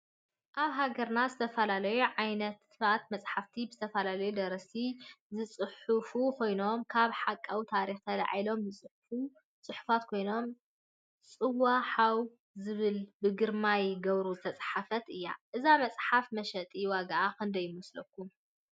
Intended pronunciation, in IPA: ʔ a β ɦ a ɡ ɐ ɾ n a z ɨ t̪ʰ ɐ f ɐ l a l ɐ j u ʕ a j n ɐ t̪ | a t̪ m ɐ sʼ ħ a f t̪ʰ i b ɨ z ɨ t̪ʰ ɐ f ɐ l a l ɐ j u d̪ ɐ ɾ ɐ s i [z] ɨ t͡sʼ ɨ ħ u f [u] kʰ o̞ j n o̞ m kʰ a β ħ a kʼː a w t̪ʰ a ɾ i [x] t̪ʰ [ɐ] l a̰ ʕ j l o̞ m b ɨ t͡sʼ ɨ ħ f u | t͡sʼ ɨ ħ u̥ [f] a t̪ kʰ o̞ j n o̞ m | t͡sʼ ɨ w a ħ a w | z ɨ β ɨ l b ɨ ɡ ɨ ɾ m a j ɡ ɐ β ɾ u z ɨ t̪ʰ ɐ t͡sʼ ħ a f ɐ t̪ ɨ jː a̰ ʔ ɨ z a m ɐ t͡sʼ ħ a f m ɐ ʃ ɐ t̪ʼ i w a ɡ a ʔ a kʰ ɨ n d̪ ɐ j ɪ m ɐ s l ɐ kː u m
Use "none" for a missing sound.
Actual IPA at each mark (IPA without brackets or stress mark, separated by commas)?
z, u, x, ɐ, f